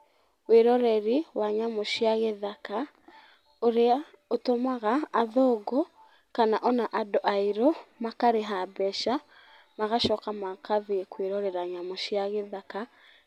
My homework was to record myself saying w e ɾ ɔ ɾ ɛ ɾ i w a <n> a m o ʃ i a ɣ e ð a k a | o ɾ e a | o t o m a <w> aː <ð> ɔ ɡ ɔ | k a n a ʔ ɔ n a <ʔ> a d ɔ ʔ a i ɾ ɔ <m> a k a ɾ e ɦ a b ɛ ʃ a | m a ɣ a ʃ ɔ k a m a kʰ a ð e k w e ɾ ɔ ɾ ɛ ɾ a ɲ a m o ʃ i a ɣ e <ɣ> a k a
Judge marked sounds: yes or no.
no, no, yes, yes, yes, no

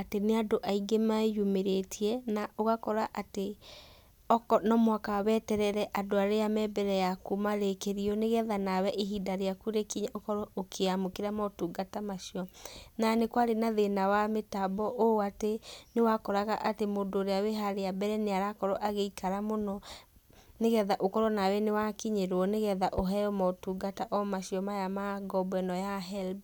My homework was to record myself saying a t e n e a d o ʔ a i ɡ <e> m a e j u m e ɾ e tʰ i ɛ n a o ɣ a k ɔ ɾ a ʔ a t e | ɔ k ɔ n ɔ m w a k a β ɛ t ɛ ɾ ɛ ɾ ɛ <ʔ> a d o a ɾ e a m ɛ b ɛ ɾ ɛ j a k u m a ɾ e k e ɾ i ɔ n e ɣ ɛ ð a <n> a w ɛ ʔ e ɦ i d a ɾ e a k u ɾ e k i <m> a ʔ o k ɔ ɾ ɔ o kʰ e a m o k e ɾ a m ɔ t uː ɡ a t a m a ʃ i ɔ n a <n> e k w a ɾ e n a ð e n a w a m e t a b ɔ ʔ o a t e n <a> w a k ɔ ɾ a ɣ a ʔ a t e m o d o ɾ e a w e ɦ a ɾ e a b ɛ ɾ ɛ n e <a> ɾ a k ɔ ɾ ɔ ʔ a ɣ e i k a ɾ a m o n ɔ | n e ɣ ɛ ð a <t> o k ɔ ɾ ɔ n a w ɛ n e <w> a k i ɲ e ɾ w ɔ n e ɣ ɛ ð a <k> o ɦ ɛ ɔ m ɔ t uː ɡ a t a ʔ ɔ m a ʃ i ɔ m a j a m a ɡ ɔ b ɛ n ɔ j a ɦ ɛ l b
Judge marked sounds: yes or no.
yes, yes, yes, no, yes, no, yes, no, yes, no

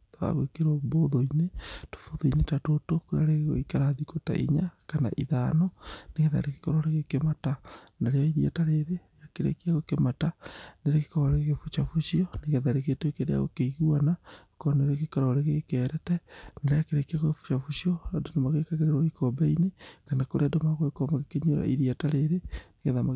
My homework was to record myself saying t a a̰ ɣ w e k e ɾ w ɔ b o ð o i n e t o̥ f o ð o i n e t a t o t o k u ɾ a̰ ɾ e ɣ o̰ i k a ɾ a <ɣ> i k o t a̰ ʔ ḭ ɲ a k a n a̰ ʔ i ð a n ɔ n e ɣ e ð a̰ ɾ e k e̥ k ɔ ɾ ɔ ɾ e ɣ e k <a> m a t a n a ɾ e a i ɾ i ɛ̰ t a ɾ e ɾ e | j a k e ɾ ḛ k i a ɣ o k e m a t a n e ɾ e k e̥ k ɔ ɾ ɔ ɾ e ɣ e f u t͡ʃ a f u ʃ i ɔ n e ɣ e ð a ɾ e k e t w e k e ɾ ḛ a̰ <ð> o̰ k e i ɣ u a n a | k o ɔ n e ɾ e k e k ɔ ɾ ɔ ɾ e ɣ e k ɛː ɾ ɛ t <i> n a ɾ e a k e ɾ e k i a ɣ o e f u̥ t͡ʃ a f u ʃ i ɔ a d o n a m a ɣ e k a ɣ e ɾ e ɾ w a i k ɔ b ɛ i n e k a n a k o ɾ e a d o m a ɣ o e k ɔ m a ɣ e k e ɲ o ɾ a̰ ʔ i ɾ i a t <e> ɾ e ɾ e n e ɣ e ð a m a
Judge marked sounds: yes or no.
no, no, no, no, no

